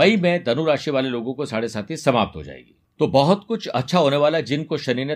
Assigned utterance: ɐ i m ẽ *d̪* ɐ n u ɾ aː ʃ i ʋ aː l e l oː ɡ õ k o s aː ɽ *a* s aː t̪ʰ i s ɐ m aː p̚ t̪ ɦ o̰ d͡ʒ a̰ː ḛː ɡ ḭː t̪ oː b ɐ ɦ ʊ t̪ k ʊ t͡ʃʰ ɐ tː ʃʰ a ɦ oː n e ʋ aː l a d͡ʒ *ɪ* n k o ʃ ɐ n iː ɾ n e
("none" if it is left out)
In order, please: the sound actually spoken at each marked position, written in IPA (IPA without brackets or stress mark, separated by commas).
d̪, e, ɪ